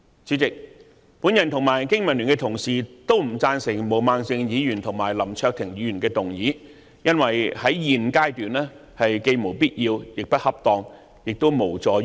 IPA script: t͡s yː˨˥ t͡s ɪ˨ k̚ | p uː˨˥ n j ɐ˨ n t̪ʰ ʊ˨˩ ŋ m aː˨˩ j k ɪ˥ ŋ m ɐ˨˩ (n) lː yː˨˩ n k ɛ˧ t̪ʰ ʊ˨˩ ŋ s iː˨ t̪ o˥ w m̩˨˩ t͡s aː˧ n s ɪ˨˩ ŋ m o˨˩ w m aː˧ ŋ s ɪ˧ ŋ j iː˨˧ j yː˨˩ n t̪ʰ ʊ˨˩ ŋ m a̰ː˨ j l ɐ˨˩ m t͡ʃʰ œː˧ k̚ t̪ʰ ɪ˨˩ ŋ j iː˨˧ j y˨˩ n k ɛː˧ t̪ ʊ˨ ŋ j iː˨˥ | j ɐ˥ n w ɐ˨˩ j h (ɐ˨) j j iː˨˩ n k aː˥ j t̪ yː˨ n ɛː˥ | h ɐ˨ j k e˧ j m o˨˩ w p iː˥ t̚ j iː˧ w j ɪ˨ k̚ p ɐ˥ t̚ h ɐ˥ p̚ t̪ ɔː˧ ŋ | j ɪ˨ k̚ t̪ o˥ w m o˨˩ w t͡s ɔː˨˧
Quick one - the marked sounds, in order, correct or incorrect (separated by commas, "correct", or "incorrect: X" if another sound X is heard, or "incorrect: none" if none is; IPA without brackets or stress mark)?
correct, incorrect: ɐ˨˥